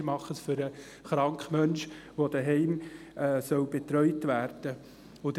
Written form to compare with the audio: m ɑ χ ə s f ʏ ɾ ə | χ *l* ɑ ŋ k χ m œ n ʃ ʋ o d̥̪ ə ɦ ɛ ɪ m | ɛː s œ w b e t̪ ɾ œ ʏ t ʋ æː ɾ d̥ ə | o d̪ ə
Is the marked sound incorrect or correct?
incorrect